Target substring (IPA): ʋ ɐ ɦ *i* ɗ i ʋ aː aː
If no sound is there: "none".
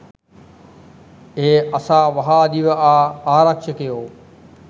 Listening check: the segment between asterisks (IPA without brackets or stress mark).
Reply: a